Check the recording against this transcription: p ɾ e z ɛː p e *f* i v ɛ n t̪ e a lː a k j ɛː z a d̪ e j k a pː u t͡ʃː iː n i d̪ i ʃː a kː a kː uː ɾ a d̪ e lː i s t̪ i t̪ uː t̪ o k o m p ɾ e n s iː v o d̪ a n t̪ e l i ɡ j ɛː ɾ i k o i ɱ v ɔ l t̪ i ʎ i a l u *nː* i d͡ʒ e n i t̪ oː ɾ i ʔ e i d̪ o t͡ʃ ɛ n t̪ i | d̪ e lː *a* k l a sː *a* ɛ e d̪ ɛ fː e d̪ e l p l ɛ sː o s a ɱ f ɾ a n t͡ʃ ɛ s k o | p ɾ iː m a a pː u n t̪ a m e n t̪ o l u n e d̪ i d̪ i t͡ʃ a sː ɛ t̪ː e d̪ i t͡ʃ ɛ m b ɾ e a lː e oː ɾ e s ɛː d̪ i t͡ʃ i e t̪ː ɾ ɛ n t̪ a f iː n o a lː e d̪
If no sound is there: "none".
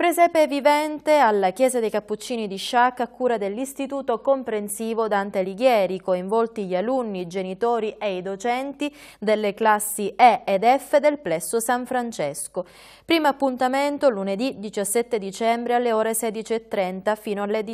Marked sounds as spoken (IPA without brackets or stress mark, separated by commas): v, nː, e, i